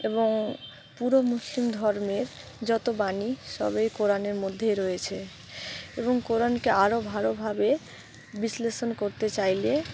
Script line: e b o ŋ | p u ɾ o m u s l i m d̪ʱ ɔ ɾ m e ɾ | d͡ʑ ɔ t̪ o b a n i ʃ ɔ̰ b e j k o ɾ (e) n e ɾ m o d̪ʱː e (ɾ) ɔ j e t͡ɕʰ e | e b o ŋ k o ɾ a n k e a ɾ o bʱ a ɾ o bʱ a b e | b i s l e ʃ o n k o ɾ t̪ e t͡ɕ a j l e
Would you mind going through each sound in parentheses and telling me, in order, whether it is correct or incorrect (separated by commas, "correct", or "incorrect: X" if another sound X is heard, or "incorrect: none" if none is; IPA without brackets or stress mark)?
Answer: incorrect: a, correct